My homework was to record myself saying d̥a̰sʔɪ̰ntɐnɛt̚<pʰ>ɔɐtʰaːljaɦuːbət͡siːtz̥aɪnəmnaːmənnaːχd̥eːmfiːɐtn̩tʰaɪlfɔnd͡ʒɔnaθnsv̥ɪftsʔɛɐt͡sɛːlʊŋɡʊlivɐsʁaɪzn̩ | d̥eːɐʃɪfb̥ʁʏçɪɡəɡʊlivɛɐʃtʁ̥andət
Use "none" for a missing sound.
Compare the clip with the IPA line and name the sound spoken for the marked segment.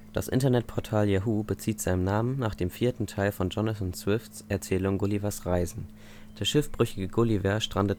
pʰ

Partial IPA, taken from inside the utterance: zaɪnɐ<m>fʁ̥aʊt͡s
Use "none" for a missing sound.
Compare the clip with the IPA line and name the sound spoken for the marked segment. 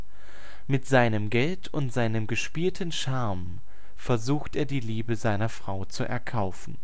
none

